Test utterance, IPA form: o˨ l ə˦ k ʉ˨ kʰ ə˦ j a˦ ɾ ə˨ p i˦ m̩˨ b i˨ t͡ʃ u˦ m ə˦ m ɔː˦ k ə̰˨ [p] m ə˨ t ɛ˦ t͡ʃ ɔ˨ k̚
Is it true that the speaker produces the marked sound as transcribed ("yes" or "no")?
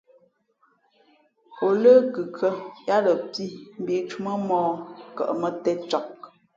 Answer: no